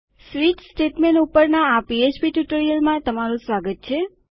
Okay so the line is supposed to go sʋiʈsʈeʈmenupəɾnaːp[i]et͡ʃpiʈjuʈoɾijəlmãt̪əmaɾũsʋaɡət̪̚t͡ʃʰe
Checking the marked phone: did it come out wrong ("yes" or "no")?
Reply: no